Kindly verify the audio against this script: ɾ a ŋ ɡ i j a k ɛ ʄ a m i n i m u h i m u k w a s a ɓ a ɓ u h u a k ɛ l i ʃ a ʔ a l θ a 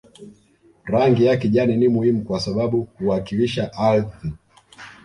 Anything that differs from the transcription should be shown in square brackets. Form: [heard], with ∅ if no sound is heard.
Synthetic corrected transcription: ɾ a ŋ ɡ i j a k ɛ ʄ a [n] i n i m u h i m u k w a s a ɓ a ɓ u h u a k [i] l i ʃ a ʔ a l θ [i]